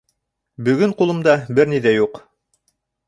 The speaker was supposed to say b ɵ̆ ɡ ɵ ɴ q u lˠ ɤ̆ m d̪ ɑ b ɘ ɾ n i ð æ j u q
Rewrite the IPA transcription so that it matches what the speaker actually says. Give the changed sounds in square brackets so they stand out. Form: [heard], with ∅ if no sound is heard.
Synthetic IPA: b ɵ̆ ɡ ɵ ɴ q u lˠ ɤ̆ m d̪ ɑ b ɘ ɾ n i ð æ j u q